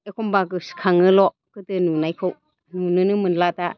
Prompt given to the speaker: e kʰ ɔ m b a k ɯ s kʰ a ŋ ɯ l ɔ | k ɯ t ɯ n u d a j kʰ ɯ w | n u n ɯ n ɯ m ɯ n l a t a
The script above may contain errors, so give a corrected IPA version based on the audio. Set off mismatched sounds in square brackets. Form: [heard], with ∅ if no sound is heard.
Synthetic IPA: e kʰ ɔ m b a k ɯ s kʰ a ŋ ɯ l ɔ | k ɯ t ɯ n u [n] a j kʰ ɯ w | n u n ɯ n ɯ m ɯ n l a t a